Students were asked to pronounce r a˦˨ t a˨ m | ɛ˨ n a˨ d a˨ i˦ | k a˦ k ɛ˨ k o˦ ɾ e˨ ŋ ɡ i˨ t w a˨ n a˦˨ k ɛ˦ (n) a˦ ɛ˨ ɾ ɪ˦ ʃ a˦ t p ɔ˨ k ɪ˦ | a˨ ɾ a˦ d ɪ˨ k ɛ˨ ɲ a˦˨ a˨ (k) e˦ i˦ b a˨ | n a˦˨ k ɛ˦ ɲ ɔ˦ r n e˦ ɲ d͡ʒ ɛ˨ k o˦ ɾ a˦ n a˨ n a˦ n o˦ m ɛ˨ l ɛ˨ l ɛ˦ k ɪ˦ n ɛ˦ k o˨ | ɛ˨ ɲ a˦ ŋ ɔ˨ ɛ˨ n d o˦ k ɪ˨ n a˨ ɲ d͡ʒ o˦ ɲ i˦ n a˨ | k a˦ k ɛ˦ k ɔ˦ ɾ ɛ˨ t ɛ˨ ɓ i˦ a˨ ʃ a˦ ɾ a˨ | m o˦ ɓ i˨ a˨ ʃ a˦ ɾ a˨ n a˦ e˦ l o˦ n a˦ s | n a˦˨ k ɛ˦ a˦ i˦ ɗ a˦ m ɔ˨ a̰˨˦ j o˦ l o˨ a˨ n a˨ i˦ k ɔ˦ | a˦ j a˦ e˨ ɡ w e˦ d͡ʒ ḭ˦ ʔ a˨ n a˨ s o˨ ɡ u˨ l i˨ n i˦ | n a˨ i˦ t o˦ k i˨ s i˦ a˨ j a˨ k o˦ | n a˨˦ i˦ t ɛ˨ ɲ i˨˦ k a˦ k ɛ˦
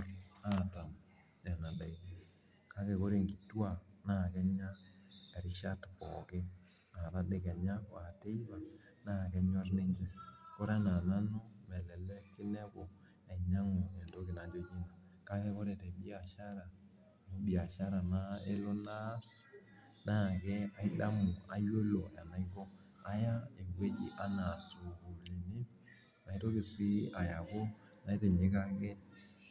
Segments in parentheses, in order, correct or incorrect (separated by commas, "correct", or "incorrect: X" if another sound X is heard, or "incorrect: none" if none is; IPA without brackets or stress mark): incorrect: ɲ, incorrect: t